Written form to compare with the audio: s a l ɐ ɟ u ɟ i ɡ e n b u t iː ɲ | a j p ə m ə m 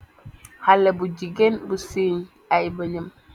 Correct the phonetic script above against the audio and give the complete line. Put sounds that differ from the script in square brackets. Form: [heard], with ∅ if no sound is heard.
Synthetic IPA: [h] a l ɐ [b] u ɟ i ɡ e n b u [s] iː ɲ | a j [b] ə [ɲ] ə m